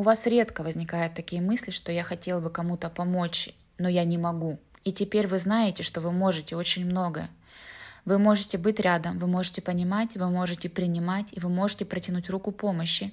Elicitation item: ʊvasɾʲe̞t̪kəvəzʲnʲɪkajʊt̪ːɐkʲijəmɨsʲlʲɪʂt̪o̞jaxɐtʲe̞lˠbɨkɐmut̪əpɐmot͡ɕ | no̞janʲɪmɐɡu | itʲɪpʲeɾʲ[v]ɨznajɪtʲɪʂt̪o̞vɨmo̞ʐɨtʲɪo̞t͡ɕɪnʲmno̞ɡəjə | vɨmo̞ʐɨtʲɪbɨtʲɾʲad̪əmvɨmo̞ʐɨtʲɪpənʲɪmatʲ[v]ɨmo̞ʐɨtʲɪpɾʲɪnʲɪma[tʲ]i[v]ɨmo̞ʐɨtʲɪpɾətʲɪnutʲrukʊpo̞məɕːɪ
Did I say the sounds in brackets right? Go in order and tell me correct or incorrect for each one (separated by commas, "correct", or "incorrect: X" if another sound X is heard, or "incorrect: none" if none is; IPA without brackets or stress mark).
correct, correct, correct, correct